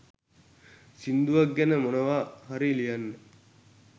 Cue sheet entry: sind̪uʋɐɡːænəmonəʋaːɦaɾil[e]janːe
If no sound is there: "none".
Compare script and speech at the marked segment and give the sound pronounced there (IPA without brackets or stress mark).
i